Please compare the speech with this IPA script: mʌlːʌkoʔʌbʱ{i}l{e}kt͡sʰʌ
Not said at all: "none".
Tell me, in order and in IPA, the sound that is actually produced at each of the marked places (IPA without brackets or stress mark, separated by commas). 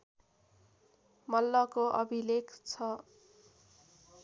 i, e